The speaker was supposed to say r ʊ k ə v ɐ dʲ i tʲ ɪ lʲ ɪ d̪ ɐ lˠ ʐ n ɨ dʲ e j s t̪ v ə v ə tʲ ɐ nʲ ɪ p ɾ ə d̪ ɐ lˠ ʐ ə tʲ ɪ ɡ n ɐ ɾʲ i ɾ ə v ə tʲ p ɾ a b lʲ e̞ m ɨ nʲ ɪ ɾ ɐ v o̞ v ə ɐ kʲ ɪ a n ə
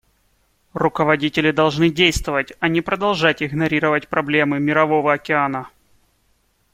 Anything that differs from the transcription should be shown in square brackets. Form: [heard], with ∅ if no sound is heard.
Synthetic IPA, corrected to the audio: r ʊ k ə v ɐ dʲ i tʲ ɪ lʲ ɪ d̪ ɐ lˠ ʐ n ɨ dʲ e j s t̪ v ə v ə tʲ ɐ nʲ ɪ p ɾ ə d̪ ɐ lˠ ʐ [a] tʲ ɪ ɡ n ɐ ɾʲ i ɾ ə v ə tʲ p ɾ [ɐ] b lʲ e̞ m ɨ [mʲ] ɪ ɾ ɐ v o̞ v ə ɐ kʲ ɪ a n ə